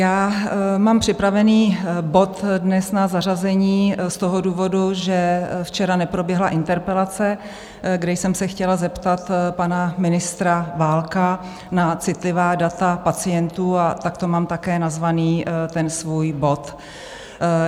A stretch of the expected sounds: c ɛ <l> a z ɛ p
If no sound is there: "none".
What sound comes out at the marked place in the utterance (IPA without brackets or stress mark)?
l